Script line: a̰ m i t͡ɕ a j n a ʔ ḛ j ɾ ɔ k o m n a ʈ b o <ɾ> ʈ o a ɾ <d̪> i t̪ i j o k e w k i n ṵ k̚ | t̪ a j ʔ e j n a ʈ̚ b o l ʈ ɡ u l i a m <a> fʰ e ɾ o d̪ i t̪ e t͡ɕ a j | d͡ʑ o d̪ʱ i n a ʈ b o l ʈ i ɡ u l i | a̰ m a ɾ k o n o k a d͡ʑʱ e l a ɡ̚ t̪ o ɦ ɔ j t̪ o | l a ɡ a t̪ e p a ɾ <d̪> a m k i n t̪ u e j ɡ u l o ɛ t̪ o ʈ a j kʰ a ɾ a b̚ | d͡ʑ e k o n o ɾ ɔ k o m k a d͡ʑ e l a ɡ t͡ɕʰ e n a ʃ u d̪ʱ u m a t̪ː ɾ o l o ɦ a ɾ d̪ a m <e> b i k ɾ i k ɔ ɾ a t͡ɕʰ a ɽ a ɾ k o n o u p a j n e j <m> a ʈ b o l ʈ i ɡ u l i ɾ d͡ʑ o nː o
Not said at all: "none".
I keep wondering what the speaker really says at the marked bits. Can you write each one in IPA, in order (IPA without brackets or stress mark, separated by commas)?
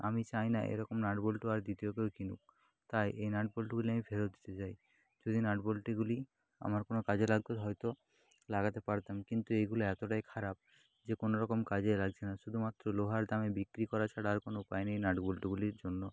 l, d̪, i, t̪, e, n